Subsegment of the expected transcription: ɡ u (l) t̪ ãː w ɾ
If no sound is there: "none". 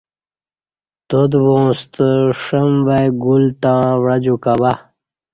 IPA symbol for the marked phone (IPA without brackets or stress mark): l